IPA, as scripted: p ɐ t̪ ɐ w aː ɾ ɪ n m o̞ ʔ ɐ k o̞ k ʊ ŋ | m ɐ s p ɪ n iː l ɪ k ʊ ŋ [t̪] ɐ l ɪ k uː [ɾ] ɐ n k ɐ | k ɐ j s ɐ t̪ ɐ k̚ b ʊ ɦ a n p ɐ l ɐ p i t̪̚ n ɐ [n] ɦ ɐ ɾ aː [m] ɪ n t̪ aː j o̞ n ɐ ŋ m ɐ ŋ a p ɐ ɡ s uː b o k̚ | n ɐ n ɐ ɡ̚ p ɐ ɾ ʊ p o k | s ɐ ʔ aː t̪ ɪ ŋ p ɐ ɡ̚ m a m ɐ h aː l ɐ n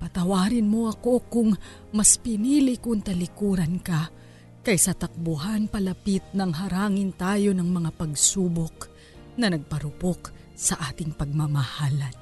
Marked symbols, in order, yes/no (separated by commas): yes, yes, no, no